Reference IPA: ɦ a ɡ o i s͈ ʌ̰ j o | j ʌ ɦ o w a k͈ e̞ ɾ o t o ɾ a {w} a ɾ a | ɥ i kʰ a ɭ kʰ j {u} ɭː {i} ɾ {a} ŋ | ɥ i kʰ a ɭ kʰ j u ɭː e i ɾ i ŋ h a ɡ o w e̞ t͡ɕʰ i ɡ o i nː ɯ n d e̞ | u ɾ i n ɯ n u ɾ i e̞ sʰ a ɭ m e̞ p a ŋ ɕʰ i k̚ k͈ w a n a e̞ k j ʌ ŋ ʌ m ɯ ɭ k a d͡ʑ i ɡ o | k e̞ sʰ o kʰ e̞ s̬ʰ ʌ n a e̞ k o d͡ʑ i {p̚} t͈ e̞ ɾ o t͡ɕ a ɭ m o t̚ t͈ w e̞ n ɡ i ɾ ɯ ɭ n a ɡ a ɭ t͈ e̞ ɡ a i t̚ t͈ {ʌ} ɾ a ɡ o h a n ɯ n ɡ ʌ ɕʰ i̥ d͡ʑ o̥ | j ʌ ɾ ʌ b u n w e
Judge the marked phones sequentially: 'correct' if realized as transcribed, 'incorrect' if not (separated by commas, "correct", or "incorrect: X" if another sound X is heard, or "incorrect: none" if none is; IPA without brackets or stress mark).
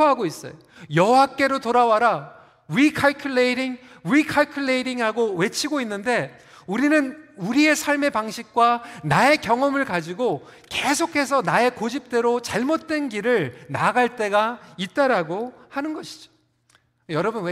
correct, correct, incorrect: e, incorrect: i, correct, incorrect: a